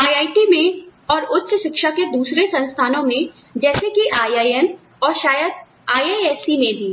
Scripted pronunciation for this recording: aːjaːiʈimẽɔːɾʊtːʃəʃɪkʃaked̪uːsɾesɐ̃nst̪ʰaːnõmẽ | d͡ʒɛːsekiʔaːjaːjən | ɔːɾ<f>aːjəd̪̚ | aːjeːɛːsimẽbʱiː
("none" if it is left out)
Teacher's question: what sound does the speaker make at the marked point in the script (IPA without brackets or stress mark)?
ʃ